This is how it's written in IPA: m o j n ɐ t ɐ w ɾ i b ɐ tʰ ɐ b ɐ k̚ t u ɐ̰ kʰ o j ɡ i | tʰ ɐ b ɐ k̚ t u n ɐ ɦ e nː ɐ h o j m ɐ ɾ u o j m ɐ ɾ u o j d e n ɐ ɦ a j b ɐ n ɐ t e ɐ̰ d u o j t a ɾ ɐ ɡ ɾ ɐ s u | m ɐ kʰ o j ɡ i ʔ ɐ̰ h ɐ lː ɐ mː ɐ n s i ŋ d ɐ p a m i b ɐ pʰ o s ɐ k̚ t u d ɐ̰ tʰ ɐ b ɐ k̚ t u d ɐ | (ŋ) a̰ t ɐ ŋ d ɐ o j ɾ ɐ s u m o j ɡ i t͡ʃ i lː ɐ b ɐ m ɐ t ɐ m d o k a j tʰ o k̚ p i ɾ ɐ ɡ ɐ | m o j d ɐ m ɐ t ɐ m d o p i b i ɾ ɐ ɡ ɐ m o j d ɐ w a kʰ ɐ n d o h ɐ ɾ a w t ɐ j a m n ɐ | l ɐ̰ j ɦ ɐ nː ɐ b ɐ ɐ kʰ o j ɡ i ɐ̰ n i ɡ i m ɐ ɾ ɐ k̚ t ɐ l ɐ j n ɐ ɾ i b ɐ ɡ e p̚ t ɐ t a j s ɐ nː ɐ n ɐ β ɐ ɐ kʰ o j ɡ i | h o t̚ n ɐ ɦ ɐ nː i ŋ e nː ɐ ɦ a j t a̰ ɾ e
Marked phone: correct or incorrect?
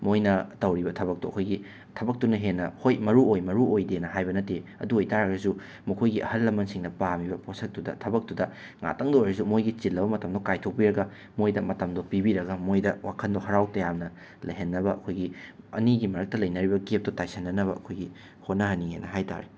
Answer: correct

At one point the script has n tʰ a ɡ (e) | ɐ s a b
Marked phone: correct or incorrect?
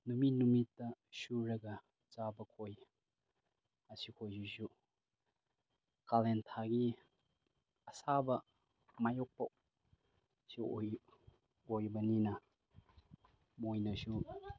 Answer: incorrect: i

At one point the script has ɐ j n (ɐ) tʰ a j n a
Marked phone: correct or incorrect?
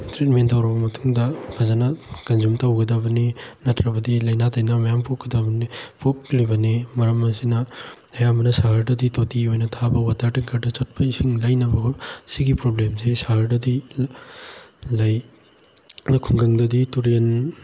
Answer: incorrect: a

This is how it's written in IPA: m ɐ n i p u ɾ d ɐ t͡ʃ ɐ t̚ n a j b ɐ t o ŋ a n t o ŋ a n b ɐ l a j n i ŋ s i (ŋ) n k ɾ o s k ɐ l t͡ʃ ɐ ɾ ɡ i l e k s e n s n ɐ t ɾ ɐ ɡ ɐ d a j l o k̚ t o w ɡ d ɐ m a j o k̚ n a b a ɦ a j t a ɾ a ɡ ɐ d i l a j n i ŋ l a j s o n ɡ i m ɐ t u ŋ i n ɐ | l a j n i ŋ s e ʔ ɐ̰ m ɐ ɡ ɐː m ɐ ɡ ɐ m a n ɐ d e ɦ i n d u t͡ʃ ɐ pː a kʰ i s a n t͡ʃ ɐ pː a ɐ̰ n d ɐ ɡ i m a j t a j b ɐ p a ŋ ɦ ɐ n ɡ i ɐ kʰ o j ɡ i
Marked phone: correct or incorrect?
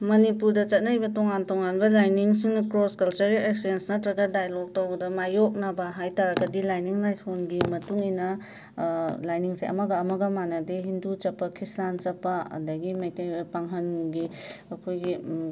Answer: correct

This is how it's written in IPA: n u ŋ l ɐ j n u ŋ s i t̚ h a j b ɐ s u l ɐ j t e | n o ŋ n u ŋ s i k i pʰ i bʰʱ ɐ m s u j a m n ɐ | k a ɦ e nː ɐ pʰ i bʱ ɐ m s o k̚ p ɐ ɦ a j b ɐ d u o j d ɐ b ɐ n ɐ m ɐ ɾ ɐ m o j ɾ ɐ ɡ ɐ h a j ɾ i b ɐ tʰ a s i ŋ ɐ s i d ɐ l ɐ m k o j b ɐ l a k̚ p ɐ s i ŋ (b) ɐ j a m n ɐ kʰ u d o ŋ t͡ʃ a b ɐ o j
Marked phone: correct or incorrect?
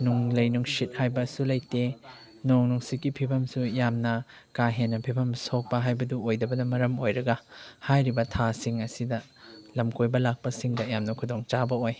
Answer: incorrect: d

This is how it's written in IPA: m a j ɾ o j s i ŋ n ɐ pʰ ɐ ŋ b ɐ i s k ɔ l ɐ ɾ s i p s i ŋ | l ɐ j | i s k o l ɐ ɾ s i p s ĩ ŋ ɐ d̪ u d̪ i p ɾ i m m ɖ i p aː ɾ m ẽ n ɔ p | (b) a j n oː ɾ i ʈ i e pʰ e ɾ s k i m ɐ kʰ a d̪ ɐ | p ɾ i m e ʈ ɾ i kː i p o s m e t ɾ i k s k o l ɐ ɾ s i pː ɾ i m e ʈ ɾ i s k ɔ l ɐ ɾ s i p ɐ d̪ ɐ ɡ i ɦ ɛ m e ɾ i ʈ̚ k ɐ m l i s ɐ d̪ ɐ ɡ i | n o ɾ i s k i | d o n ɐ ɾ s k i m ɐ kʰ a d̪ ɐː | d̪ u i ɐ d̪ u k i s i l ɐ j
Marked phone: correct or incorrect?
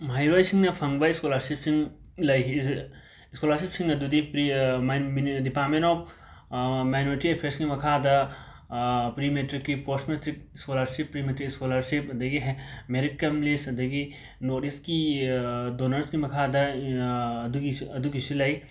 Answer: incorrect: m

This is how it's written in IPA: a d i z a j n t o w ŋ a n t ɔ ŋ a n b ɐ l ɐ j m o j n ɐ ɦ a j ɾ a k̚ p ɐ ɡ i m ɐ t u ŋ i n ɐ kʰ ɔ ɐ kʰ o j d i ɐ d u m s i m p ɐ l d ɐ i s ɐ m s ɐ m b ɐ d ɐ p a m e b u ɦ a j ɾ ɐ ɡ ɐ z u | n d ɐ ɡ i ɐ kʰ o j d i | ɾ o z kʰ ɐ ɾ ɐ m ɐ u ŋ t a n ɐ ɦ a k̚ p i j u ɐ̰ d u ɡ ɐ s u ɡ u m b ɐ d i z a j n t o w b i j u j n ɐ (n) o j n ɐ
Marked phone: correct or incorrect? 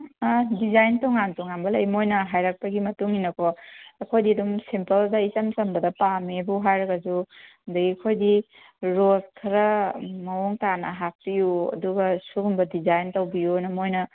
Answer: incorrect: m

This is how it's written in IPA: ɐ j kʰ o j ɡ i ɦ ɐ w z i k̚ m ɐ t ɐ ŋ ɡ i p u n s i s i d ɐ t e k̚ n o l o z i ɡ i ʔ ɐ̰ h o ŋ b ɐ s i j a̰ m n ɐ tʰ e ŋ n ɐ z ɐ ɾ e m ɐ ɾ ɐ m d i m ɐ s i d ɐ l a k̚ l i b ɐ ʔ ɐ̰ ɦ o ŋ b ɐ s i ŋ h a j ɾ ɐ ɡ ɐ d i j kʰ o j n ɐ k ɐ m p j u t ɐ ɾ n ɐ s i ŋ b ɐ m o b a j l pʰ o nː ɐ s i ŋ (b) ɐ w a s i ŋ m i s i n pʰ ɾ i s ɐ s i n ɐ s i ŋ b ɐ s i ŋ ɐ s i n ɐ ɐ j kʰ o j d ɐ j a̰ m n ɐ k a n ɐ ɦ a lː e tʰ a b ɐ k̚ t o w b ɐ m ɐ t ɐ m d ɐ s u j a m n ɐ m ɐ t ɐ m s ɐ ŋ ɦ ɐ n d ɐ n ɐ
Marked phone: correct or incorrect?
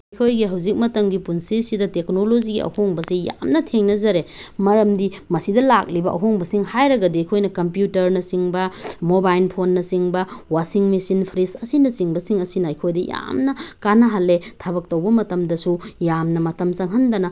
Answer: correct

